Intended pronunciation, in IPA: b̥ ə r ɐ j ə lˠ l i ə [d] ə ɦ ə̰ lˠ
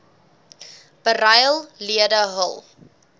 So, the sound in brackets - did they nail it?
yes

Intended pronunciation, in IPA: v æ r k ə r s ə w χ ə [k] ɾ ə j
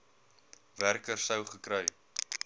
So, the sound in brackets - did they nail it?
yes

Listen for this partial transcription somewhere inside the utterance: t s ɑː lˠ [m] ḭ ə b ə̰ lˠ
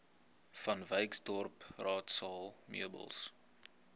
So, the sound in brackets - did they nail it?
yes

